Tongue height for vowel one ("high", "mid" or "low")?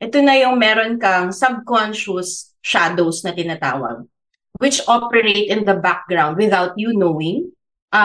mid